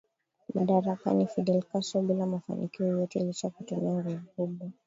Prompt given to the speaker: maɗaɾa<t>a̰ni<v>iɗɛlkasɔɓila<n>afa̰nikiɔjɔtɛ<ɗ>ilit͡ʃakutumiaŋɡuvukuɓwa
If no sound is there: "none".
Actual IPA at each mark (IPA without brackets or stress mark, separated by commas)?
k, f, m, none